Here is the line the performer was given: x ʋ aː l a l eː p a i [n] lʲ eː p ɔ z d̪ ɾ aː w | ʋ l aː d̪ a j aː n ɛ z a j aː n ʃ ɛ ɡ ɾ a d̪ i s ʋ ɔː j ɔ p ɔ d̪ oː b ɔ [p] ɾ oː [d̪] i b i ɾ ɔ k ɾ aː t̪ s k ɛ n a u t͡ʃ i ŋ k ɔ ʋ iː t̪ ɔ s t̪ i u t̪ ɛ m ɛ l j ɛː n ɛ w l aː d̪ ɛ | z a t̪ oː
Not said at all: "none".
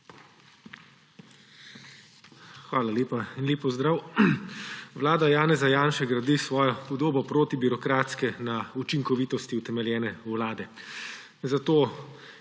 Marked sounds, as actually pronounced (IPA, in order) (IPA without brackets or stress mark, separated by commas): n, p, t̪